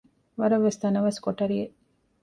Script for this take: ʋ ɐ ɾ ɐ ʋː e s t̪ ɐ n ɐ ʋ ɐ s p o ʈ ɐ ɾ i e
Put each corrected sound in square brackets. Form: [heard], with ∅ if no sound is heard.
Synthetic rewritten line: ʋ ɐ ɾ ɐ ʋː e s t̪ ɐ n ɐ ʋ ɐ s [k] o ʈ ɐ ɾ i e